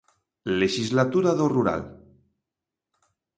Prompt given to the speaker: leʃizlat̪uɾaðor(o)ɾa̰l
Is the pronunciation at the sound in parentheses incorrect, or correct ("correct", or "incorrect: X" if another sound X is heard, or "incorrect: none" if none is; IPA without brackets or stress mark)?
incorrect: u